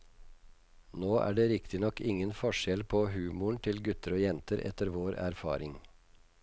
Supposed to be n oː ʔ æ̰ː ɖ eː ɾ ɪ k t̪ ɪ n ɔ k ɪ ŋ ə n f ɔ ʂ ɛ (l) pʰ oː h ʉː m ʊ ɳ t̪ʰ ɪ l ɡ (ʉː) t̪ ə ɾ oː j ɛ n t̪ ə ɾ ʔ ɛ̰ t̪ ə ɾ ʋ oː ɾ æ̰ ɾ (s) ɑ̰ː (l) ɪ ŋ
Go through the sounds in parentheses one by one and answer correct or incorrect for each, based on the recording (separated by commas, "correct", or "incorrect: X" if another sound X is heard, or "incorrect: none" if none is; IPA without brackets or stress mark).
correct, incorrect: ʉ, incorrect: f, incorrect: ɾ